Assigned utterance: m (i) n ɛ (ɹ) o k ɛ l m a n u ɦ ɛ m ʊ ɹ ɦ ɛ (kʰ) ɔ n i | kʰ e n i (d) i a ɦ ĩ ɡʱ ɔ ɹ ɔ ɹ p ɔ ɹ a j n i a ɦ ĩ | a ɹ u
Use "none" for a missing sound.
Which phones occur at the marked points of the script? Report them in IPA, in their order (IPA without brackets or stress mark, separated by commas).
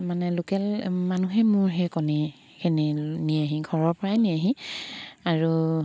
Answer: a, l, k, n